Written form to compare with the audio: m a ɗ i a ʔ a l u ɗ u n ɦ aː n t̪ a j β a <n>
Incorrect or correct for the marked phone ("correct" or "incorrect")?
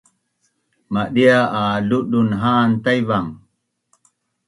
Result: incorrect